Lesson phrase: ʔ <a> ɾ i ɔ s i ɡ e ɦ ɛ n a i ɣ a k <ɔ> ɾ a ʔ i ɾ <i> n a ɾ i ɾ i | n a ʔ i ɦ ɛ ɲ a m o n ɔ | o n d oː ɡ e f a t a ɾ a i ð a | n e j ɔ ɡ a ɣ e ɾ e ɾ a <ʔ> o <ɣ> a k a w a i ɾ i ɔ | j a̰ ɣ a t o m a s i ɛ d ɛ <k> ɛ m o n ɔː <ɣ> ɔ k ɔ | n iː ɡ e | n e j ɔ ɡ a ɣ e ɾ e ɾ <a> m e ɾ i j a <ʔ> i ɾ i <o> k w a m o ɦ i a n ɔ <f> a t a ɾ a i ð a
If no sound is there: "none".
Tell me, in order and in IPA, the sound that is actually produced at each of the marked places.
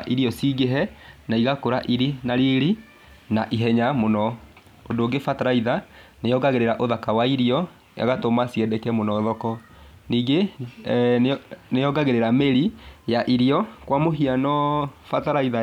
i, o, i, ʔ, ð, k, ð, a, ʔ, ɔ, f

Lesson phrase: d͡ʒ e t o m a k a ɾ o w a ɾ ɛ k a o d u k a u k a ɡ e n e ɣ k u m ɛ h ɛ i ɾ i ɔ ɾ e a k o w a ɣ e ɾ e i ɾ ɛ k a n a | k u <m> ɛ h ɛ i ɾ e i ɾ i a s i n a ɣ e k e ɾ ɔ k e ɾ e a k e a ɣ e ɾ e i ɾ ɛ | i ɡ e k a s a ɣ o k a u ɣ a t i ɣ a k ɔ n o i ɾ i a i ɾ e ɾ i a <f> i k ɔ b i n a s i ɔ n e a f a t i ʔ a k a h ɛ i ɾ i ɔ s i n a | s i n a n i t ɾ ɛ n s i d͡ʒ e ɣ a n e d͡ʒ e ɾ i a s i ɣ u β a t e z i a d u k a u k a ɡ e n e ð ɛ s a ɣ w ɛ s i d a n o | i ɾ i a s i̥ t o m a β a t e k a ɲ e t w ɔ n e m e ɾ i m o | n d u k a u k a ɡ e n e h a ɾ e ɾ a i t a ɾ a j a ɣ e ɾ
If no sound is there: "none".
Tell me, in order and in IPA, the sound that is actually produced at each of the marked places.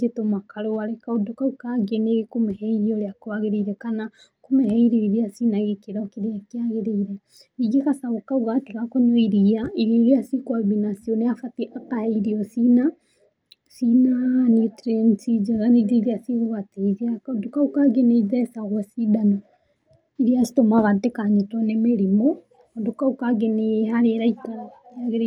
m, s

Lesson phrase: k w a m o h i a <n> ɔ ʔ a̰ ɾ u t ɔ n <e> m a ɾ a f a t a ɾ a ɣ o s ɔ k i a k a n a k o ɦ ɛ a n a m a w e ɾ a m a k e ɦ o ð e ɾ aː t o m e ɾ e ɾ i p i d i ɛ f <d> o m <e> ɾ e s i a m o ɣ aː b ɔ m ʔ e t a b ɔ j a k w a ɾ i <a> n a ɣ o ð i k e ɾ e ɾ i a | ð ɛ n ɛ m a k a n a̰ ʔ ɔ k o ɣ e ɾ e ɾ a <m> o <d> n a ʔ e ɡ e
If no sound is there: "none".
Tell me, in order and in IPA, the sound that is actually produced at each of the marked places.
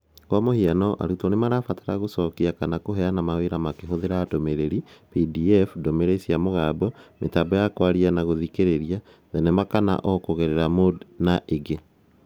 n, e, d, e, a, m, d

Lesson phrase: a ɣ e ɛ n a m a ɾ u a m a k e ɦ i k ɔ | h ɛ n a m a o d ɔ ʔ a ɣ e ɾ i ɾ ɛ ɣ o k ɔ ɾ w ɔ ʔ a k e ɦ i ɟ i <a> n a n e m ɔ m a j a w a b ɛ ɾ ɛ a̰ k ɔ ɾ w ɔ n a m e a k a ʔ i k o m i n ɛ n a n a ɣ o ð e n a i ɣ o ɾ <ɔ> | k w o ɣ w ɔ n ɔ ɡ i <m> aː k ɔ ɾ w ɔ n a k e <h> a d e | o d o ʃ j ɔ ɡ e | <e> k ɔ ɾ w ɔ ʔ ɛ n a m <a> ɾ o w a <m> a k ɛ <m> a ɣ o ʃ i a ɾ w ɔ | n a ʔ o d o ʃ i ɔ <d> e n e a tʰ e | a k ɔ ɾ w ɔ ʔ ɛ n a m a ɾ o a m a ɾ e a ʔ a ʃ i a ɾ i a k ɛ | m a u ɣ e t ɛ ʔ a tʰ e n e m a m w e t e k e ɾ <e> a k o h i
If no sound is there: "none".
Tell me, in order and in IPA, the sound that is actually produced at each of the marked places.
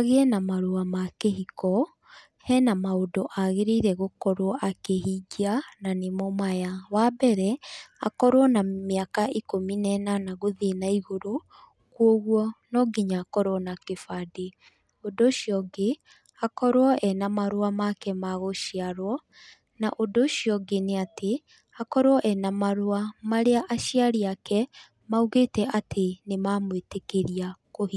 a, o, ɲ, f, a, a, m, m, ɡ, i

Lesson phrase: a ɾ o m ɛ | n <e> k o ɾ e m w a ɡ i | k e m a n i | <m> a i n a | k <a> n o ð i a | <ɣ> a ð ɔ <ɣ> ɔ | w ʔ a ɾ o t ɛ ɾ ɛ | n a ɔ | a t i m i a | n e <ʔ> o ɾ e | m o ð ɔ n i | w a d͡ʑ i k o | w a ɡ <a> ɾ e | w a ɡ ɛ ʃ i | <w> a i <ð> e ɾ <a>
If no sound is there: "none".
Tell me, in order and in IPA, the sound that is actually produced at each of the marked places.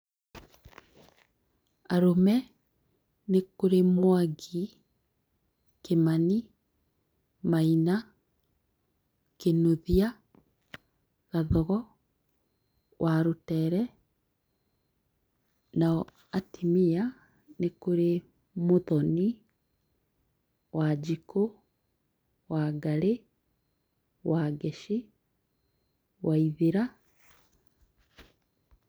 e, m, e, ɣ, ɣ, k, a, w, ð, a

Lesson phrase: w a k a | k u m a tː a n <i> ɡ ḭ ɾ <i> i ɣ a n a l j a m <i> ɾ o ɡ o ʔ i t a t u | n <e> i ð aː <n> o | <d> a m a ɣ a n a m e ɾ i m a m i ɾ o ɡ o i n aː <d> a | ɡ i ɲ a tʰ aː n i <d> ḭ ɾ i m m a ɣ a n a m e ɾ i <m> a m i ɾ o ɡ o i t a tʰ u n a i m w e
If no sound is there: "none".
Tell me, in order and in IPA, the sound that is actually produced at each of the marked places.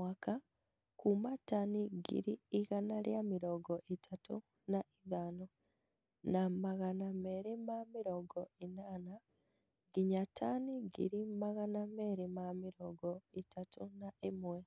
i, i, i, a, n, n, n, ɡ, m

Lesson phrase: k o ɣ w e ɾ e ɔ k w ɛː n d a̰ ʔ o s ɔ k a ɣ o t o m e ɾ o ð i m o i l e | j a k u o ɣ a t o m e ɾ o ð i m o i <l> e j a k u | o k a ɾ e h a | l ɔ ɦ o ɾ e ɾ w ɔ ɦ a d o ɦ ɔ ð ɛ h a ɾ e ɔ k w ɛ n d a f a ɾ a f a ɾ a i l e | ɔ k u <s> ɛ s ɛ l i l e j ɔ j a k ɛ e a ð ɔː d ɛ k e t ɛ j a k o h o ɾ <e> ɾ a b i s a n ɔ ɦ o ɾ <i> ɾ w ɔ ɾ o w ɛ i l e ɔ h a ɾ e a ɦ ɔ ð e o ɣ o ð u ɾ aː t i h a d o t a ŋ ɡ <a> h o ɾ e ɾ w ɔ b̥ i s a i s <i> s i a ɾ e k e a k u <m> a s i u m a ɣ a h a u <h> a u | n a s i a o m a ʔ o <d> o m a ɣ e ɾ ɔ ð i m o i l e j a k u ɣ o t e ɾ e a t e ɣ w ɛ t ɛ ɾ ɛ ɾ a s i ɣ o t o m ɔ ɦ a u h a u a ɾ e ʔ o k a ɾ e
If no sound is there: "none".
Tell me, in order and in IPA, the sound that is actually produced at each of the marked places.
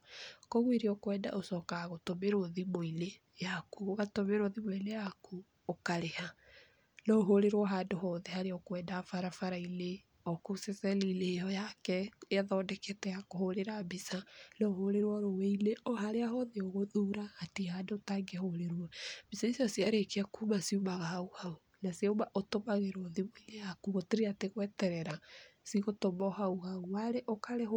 l, s, e, e, e, a, m, h, t

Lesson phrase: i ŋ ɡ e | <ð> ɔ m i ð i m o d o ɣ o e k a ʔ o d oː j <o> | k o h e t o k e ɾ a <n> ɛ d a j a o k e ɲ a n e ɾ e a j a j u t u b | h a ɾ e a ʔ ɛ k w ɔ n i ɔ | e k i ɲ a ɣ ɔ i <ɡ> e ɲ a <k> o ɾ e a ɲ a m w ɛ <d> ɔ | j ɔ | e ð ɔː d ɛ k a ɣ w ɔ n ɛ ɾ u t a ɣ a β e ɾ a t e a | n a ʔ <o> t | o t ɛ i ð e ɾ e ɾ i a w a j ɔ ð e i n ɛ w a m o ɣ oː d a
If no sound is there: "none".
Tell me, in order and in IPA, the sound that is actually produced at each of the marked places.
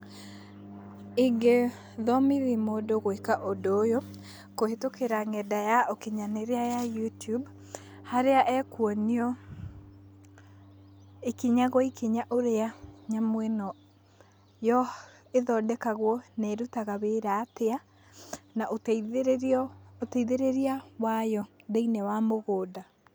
ð, o, ŋ, k, ʔ, n, o

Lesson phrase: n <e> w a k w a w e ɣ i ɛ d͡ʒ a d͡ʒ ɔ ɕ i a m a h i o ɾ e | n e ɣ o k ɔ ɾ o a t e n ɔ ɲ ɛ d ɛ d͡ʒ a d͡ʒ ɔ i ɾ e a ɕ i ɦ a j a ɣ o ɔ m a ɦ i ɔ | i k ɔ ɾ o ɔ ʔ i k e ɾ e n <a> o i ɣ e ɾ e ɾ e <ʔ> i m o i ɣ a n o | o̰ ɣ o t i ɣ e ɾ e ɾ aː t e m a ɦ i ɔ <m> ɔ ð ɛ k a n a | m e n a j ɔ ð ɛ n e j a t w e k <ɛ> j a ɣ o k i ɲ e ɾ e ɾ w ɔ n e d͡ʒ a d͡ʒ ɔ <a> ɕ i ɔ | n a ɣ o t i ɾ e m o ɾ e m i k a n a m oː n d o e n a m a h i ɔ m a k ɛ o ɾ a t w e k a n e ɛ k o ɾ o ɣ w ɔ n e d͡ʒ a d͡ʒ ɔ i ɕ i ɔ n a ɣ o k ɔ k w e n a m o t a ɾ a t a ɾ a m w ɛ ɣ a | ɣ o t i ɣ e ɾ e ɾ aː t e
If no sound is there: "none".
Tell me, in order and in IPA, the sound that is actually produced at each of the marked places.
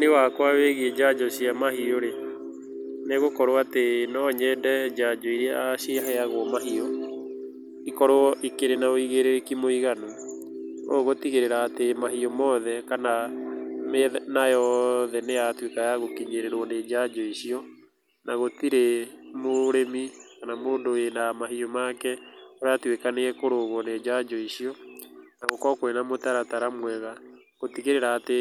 e, a, k, m, a, i

